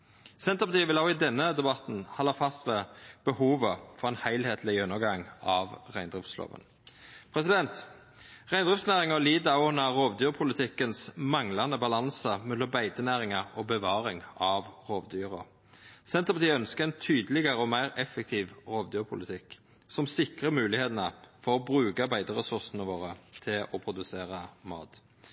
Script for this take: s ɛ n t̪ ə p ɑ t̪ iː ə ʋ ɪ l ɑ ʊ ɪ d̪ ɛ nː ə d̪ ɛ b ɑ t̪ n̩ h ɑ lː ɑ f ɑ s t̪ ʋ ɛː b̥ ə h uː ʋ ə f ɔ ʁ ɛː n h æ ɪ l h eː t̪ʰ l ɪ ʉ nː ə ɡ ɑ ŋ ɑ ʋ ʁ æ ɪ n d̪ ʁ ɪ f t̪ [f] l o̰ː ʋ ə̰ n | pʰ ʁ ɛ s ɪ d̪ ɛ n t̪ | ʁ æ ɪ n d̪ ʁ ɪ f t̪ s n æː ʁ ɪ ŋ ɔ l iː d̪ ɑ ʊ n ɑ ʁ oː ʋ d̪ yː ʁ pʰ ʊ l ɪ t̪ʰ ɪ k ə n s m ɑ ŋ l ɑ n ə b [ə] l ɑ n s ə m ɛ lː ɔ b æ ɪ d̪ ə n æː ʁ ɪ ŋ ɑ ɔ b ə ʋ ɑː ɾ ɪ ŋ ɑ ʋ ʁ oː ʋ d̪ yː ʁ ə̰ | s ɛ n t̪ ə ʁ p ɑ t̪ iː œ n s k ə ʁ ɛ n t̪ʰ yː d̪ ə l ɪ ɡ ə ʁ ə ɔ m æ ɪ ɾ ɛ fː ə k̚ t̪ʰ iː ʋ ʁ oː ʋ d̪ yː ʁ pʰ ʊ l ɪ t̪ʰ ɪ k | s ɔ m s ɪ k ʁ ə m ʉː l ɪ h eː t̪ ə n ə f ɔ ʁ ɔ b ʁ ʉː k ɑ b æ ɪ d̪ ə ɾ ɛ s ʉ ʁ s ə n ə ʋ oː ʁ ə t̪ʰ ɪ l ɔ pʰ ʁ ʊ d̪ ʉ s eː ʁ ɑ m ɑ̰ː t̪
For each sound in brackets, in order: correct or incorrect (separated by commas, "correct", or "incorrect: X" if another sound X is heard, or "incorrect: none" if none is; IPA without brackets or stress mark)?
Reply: incorrect: s, incorrect: ɑ